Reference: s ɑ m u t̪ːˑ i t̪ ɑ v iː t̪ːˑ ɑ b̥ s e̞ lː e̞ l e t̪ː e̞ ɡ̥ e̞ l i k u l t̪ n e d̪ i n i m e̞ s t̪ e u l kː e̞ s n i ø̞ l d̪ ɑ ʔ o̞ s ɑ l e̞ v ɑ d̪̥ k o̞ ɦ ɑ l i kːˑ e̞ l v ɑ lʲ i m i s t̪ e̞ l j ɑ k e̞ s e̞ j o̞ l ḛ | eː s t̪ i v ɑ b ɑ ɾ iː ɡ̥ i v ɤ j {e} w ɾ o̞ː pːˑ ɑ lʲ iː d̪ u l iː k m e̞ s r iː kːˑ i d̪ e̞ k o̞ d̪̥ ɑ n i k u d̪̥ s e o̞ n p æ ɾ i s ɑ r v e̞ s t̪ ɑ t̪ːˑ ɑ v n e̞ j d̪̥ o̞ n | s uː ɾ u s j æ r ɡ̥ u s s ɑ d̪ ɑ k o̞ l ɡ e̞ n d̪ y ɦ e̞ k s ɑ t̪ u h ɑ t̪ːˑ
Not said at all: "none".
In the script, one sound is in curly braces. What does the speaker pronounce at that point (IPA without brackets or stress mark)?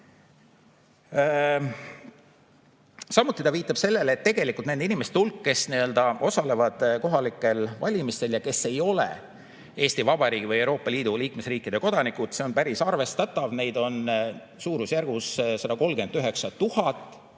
e